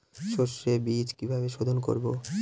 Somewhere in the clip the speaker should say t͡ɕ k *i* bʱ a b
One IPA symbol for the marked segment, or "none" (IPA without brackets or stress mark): i